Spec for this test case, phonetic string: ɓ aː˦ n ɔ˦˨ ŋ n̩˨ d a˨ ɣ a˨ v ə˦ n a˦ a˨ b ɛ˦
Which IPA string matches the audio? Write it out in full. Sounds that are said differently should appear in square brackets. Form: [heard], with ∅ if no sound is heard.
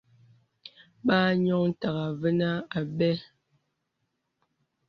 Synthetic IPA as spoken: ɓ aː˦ [ɲ] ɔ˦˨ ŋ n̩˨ [t] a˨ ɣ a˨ v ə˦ n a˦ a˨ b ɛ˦